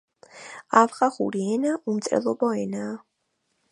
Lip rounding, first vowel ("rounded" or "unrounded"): unrounded